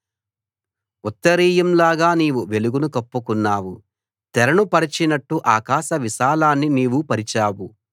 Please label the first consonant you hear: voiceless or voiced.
voiceless